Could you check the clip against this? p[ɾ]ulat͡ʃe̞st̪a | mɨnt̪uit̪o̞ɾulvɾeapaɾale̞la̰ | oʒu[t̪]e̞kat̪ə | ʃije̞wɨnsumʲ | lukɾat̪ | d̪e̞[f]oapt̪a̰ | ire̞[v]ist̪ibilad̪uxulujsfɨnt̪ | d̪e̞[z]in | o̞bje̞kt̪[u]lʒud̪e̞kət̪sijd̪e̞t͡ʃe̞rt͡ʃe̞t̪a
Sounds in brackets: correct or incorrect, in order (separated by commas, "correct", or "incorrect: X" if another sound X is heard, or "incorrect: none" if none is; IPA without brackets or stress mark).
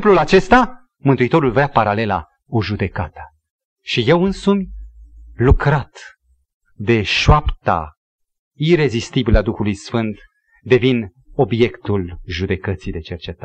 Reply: incorrect: l, incorrect: d̪, incorrect: ʃ, incorrect: z, incorrect: v, correct